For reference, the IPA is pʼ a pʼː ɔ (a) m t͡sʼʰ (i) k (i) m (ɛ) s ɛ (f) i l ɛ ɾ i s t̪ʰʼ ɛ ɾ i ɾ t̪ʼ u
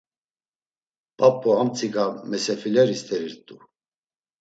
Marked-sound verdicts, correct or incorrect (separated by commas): correct, correct, incorrect, correct, correct